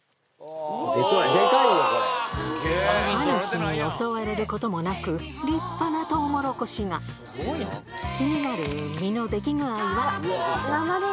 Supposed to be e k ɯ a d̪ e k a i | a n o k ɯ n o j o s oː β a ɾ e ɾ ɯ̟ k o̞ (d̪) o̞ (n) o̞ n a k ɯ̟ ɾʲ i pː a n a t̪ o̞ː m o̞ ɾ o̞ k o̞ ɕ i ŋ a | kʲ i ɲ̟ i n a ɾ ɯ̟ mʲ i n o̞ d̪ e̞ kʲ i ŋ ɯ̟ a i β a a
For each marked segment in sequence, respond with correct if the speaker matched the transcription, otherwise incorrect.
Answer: incorrect: t̪, incorrect: m

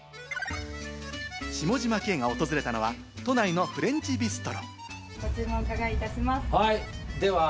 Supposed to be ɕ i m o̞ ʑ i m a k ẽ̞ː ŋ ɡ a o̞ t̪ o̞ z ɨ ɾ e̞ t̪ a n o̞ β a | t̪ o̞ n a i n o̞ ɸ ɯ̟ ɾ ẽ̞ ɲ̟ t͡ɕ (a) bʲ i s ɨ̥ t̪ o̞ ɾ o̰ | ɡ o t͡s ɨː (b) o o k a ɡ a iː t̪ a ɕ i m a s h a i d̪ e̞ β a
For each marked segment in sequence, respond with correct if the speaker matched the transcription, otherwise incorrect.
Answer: incorrect: i, incorrect: m

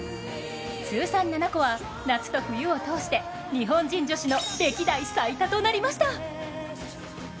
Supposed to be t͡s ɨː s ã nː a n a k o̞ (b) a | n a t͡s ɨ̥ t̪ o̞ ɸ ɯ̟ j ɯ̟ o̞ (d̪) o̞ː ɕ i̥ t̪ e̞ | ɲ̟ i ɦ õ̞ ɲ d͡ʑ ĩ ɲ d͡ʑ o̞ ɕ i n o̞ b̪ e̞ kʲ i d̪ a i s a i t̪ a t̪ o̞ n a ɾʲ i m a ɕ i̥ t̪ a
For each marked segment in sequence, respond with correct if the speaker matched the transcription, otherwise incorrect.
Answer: incorrect: β, incorrect: t̪

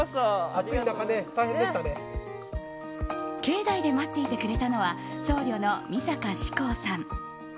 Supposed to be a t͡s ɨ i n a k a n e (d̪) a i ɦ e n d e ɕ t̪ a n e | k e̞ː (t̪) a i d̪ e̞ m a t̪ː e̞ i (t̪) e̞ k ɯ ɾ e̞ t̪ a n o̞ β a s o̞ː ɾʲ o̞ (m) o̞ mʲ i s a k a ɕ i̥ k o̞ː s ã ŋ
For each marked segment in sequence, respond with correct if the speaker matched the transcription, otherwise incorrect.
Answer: incorrect: t̪, incorrect: d̪, correct, incorrect: n

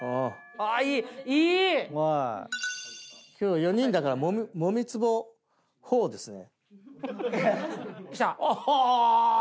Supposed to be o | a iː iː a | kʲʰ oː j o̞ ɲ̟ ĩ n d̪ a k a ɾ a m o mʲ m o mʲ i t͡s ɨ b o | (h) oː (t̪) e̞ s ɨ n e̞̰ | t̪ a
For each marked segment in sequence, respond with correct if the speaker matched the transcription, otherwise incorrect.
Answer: correct, incorrect: d̪

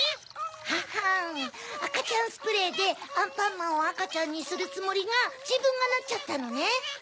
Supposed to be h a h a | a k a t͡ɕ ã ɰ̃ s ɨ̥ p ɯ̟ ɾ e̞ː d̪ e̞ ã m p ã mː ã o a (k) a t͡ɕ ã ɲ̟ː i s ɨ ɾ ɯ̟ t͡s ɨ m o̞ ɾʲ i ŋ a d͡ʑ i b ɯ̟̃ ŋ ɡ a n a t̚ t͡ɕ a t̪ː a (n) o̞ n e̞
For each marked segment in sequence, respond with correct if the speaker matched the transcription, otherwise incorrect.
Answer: correct, correct

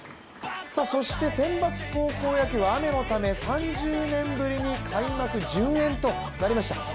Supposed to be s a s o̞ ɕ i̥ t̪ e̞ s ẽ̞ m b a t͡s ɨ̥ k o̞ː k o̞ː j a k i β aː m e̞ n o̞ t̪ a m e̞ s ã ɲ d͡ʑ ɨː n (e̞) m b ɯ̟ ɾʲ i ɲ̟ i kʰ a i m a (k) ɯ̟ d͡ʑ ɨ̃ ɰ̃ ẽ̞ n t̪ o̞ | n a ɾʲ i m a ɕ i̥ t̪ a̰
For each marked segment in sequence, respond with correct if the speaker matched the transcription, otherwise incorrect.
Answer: incorrect: ẽ̞, correct

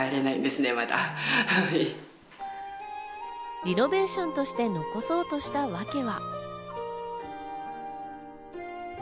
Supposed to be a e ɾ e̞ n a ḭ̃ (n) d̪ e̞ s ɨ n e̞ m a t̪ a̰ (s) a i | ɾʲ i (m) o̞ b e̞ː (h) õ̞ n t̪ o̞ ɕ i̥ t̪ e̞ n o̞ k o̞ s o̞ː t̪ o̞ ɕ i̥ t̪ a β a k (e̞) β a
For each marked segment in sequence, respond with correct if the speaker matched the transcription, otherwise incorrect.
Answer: correct, incorrect: h, incorrect: n, incorrect: ɕ, correct

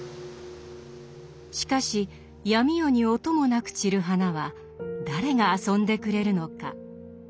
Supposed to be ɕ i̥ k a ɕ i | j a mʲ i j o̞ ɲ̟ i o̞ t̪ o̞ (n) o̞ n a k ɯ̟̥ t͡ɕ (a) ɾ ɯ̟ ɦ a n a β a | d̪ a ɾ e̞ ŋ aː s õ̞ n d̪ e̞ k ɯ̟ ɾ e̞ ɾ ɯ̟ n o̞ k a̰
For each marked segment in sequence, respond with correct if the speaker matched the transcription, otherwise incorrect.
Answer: incorrect: m, incorrect: i

